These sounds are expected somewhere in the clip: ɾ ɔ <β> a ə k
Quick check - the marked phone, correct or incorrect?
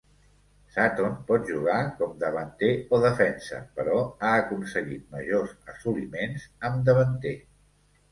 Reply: incorrect